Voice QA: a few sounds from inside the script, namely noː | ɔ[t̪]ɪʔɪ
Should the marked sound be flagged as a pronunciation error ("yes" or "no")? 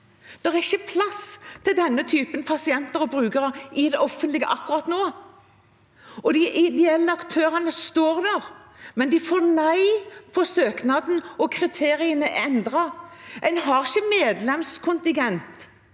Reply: yes